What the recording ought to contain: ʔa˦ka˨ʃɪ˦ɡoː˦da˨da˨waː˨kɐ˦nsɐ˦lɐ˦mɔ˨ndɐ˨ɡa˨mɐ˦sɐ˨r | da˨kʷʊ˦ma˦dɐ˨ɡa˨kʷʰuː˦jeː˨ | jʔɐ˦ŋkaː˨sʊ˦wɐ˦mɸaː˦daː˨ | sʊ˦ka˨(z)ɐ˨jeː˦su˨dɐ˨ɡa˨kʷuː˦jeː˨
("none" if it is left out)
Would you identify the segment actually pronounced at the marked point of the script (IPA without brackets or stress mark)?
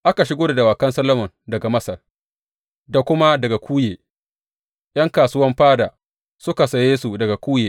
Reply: s